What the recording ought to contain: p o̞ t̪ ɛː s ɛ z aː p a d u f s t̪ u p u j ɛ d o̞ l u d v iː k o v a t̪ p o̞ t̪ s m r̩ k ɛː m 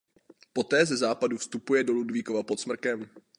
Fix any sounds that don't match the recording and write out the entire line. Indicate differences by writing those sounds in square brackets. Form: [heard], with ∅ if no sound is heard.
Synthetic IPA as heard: p o̞ t̪ ɛː [z] ɛ z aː p a d u f s t̪ u p u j ɛ d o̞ l u d v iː k o v a [∅] p o̞ t̪ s m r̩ k [ɛ] m

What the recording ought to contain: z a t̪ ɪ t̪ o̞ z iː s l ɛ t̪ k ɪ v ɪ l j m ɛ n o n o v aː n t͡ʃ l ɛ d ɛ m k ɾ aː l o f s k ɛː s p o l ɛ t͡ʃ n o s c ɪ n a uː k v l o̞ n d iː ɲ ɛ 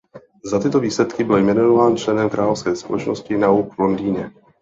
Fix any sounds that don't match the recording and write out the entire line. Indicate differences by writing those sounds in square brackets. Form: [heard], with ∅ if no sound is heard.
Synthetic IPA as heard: z a t̪ ɪ t̪ o̞ [v] iː s l ɛ t̪ k ɪ [b] ɪ l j m ɛ n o n o v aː n t͡ʃ l ɛ [n] ɛ m k ɾ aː l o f s k ɛː s p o l ɛ t͡ʃ n o s c ɪ n a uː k v l o̞ n d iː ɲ ɛ

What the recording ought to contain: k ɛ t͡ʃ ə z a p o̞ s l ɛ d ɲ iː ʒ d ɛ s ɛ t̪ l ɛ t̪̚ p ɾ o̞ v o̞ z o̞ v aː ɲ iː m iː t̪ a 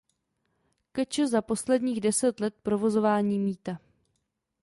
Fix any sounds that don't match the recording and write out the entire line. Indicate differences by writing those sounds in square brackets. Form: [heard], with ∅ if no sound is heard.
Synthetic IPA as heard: k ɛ t͡ʃ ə z a p o̞ s l ɛ d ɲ iː [ɣ] d ɛ s ɛ t̪ l ɛ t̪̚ p ɾ o̞ v o̞ z o̞ v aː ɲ iː m iː t̪ a

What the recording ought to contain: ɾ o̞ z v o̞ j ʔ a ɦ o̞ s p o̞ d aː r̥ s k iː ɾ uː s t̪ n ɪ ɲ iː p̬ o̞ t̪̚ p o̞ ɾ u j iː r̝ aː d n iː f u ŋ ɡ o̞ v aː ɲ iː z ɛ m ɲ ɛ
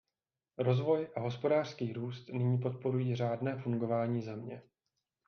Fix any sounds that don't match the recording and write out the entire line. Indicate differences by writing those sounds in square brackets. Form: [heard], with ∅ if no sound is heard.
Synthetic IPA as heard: ɾ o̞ z v o̞ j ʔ a ɦ o̞ s p o̞ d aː r̥ s k iː ɾ uː s t̪ n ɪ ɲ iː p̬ o̞ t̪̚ p o̞ ɾ u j iː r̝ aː d n [ɛː] f u ŋ ɡ o̞ v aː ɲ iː z ɛ m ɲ ɛ

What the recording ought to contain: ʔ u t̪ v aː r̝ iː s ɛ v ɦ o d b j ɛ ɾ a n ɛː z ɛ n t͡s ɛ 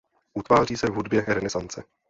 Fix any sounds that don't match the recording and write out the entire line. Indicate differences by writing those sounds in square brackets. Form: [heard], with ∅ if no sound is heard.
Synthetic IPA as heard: ʔ u t̪ v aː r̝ iː s ɛ v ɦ [u] d b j ɛ ɾ [ɛ] n [ɛ] z [a] n t͡s ɛ

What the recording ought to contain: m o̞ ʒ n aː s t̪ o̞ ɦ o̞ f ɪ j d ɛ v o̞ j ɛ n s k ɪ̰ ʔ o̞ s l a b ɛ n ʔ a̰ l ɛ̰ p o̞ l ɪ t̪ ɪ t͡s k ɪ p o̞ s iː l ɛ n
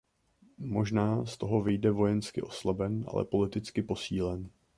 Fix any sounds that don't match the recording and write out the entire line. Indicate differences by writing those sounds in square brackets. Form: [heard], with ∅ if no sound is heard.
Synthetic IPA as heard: m o̞ ʒ n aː s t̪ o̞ ɦ o̞ [v] ɪ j d ɛ v o̞ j ɛ n s k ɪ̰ ʔ o̞ s l a b ɛ n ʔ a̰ l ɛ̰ p o̞ l ɪ t̪ ɪ t͡s k ɪ p o̞ s iː l ɛ n

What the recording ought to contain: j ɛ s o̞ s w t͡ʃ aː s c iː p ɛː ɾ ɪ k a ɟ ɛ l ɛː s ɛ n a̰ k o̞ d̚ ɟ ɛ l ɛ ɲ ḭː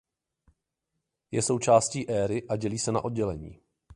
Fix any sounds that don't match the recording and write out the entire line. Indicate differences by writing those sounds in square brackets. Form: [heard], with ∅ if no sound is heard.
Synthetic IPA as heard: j ɛ s o̞ [∅] w t͡ʃ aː s c iː [ʔ] ɛː ɾ ɪ [ʔ] a ɟ ɛ l [iː] s ɛ n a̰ [ʔ] o̞ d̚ ɟ ɛ l ɛ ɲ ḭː

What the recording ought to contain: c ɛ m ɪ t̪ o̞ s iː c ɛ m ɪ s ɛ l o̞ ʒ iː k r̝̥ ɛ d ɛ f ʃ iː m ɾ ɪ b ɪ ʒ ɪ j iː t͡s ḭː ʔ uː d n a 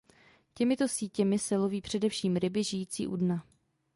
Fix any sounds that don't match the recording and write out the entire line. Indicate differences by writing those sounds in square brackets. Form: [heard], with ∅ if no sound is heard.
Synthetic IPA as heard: c ɛ m ɪ t̪ o̞ s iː c ɛ m ɪ s ɛ l o̞ [v] iː [p] r̝̥ ɛ d ɛ f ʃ iː m ɾ ɪ b ɪ ʒ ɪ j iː t͡s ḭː ʔ [u] d n a

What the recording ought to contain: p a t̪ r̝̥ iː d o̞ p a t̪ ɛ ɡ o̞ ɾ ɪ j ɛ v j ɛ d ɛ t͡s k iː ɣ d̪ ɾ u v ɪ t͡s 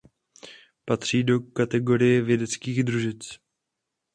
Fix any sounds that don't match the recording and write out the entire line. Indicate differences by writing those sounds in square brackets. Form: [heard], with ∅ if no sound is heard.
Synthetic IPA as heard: p a t̪ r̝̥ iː d o̞ [k] a t̪ ɛ ɡ o̞ ɾ ɪ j ɛ v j ɛ d ɛ t͡s k iː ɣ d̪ ɾ u [ʒ] ɪ t͡s

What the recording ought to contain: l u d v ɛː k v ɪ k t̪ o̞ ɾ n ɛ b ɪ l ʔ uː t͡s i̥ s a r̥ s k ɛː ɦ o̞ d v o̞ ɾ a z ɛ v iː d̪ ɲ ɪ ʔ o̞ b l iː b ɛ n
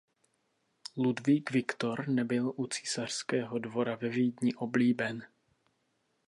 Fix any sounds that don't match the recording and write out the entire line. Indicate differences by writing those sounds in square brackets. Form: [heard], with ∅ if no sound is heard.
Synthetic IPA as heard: l u d v [iː] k v ɪ k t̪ o̞ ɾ n ɛ b ɪ l ʔ [u] t͡s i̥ s a r̥ s k ɛː ɦ o̞ d v o̞ ɾ a [v] ɛ v iː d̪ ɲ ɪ ʔ o̞ b l iː b ɛ n

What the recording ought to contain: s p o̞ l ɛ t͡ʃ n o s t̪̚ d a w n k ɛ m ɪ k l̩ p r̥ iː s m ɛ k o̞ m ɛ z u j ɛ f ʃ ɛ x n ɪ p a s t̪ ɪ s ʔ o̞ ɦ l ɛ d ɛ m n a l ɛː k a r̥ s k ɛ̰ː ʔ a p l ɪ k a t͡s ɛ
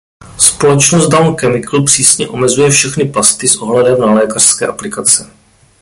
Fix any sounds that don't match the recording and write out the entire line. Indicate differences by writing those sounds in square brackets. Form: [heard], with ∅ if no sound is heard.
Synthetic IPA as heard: s p o̞ l ɛ t͡ʃ n o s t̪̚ d a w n k ɛ m ɪ k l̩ p r̥ iː s [ɲ] ɛ [ʔ] o̞ m ɛ z u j ɛ f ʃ ɛ x n ɪ p a s t̪ ɪ s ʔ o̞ ɦ l ɛ d ɛ m n a l ɛː k a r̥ s k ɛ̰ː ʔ a p l ɪ k a t͡s ɛ

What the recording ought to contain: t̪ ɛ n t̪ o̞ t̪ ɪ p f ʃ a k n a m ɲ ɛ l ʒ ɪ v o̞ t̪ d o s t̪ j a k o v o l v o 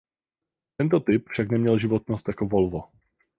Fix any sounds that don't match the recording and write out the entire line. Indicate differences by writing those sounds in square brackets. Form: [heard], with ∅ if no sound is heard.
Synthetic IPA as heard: t̪ ɛ n t̪ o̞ t̪ ɪ p f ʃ a k n [ɛ] m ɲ ɛ l ʒ ɪ v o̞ t̪ [n] o s t̪ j a k o v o l v o

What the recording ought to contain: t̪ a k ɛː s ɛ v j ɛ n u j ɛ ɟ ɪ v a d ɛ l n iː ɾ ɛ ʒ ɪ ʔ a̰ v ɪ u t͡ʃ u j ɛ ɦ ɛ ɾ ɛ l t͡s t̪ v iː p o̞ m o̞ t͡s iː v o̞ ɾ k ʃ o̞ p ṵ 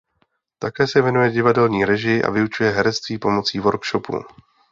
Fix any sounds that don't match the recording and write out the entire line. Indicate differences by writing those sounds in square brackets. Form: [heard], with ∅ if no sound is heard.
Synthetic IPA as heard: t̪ a k ɛː s ɛ v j ɛ n u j ɛ ɟ ɪ v a d ɛ l [ɲ] iː ɾ ɛ ʒ ɪ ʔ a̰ v ɪ u t͡ʃ u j ɛ ɦ ɛ ɾ ɛ [∅] t͡s t̪ v iː p o̞ m o̞ t͡s iː v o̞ ɾ k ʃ o̞ p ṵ

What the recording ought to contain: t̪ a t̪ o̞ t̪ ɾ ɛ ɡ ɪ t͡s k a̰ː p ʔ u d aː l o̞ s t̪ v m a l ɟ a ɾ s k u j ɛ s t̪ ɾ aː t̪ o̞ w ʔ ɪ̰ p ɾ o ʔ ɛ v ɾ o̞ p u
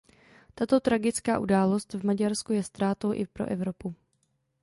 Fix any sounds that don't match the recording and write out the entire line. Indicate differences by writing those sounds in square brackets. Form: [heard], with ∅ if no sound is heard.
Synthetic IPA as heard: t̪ a t̪ o̞ t̪ ɾ [a] ɡ ɪ t͡s k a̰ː [∅] ʔ u d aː l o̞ s t̪ v m a [∅] ɟ a ɾ s k u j ɛ s t̪ ɾ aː t̪ o̞ w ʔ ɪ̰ p ɾ o ʔ ɛ v ɾ o̞ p u

